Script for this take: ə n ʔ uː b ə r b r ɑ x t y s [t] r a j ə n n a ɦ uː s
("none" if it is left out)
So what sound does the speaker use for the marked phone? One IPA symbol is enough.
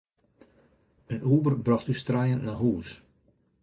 t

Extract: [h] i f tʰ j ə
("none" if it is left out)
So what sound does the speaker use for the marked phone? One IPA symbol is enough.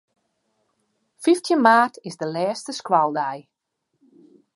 f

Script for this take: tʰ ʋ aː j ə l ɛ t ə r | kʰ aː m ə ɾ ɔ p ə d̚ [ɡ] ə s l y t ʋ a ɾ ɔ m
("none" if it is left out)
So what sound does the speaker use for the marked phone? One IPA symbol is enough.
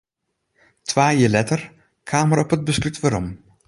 b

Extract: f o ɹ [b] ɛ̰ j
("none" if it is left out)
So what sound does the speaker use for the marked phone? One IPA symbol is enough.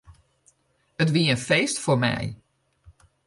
m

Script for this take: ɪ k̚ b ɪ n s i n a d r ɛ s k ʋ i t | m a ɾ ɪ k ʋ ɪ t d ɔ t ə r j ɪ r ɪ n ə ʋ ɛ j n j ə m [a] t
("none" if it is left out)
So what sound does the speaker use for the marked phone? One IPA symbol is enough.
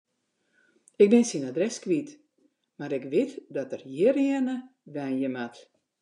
a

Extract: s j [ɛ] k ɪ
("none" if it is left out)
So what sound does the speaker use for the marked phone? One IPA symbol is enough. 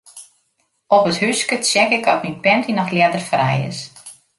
ɛ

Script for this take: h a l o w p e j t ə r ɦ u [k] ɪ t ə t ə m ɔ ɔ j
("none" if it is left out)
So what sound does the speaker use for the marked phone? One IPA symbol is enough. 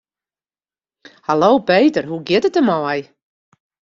ɡ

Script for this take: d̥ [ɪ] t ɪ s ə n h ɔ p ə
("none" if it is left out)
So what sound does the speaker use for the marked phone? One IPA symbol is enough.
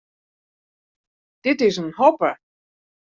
ɪ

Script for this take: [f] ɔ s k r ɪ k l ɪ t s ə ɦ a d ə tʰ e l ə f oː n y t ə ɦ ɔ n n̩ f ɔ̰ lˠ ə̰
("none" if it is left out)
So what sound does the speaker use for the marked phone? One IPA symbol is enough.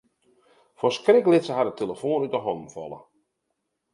f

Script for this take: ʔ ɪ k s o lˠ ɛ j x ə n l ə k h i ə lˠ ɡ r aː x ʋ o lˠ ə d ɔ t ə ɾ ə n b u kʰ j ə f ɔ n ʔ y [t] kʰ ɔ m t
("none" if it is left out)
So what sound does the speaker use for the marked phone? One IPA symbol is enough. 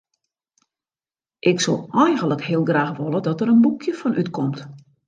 t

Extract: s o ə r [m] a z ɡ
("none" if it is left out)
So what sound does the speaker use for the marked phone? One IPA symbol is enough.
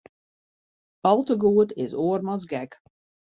m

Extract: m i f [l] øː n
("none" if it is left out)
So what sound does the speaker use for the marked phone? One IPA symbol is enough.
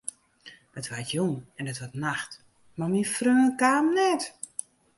r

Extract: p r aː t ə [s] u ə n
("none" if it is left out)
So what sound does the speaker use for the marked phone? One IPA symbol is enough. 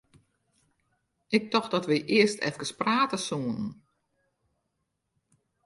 s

